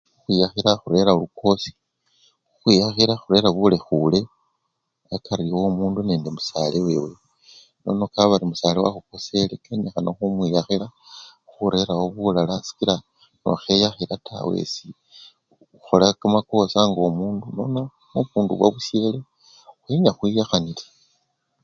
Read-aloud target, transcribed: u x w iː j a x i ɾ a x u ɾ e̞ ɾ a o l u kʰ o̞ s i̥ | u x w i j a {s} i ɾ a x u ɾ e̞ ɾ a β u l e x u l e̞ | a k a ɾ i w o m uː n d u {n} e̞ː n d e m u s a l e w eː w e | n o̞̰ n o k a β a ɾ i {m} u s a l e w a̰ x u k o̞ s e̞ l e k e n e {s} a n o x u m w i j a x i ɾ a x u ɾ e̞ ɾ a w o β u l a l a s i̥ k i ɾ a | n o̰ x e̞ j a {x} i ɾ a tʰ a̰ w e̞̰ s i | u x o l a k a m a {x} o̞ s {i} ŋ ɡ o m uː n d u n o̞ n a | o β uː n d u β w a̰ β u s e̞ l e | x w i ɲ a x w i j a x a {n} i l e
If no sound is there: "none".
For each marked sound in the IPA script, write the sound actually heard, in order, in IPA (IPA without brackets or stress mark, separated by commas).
x, n, m, x, x, k, a, n